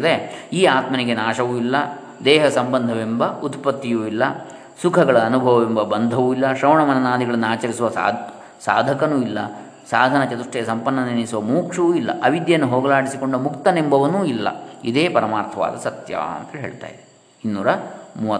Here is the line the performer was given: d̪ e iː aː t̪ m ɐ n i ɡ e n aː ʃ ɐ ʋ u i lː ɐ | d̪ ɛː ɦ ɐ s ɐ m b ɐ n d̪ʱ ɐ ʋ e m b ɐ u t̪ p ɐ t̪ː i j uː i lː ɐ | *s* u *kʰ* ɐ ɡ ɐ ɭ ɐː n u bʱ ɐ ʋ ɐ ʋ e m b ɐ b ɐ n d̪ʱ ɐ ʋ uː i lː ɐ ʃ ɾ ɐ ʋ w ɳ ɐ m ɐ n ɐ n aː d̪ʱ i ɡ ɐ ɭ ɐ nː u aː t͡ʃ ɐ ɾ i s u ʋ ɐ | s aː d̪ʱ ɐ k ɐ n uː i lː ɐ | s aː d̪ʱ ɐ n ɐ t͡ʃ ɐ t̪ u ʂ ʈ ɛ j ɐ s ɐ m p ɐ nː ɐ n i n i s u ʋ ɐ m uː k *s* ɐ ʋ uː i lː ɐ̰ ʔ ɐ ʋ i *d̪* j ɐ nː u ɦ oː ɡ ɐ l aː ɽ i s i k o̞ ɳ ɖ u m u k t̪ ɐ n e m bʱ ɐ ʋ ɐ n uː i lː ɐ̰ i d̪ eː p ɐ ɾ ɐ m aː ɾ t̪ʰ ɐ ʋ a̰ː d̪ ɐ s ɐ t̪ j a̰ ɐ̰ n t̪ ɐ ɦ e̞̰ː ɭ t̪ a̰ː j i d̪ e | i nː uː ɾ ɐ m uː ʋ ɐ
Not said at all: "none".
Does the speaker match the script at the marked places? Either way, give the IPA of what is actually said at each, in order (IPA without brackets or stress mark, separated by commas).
s, kʰ, ʂ, d̪